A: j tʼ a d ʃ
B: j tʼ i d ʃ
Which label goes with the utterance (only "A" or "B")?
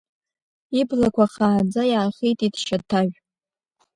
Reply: B